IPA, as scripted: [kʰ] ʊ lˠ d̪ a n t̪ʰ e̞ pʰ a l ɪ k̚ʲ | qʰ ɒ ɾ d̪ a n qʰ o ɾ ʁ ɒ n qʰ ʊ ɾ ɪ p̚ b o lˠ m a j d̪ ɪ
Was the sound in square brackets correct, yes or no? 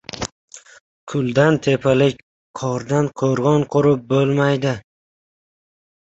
yes